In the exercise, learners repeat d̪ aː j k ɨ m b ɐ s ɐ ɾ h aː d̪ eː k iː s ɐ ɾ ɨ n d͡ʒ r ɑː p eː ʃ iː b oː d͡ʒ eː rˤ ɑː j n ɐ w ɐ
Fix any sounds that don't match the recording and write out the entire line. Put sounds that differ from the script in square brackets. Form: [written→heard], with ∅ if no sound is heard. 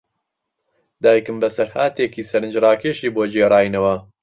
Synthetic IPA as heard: d̪ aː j k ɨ m b ɐ s ɐ ɾ h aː [d̪→t̪] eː k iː s ɐ ɾ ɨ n d͡ʒ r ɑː [p→k] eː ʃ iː b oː d͡ʒ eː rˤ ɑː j n ɐ w ɐ